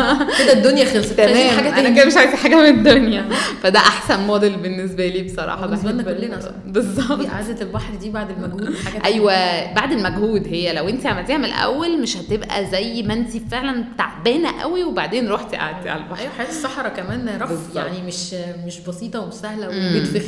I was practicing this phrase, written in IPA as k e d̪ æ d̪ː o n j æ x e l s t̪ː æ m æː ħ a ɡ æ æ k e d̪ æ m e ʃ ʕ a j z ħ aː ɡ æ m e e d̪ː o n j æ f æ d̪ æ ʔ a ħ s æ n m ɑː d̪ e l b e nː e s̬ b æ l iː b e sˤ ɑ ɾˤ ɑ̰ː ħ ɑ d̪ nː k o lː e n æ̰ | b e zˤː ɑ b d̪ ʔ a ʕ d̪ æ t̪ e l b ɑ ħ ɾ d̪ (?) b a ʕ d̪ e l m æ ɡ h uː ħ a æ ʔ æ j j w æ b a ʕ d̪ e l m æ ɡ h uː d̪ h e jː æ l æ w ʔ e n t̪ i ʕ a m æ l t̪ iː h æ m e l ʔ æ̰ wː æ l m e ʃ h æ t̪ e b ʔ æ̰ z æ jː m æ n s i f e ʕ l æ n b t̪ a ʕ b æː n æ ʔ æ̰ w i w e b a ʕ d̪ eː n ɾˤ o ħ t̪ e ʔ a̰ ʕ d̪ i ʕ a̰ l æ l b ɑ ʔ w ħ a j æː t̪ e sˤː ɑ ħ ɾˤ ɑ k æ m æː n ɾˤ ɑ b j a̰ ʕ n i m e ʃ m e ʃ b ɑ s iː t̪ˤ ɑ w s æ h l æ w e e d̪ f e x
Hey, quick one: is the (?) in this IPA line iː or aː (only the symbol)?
iː